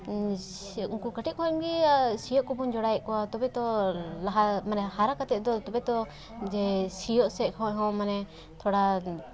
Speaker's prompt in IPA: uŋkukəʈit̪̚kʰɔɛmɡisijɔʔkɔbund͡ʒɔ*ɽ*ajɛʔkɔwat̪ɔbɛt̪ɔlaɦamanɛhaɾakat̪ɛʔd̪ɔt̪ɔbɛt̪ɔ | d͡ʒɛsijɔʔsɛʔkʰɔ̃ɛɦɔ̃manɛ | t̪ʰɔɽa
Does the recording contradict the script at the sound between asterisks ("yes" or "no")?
no